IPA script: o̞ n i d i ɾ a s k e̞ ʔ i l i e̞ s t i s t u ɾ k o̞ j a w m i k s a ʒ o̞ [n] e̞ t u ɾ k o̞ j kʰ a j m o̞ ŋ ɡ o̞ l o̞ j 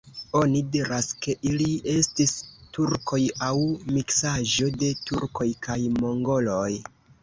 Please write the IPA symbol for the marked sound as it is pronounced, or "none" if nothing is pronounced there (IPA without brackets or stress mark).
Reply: d